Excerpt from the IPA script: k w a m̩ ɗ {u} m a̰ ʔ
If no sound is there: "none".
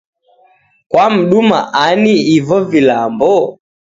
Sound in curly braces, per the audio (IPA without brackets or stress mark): u